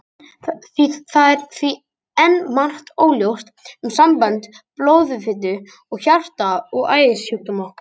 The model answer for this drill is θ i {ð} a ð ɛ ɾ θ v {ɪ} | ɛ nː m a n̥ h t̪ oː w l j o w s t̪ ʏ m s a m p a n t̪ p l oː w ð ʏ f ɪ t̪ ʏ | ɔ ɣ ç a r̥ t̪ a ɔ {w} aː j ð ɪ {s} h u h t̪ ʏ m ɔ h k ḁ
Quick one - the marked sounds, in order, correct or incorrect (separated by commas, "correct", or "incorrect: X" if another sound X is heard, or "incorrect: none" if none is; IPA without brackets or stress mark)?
incorrect: θ, incorrect: i, incorrect: ɣ, correct